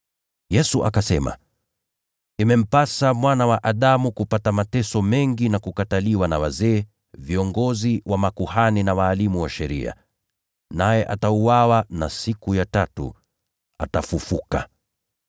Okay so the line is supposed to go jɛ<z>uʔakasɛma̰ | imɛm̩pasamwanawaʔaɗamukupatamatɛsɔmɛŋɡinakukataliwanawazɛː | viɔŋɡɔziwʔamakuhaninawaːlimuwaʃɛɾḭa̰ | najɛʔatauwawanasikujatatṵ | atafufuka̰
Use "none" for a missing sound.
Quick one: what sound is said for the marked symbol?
s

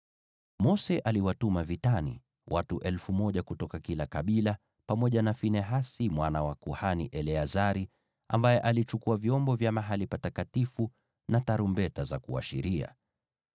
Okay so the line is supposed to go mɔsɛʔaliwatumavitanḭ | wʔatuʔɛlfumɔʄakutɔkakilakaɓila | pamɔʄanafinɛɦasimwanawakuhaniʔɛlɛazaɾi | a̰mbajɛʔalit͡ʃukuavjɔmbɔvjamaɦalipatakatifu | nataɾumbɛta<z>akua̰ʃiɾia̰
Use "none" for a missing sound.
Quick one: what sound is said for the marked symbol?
z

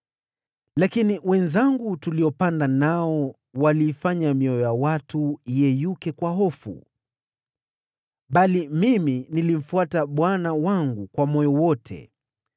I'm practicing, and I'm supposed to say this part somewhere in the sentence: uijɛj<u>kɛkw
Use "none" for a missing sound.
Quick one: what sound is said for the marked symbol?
u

